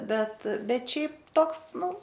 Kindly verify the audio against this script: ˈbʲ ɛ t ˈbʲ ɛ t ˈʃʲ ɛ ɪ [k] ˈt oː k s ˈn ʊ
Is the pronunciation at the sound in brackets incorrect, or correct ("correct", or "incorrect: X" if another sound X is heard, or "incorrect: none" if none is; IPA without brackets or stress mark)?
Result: incorrect: p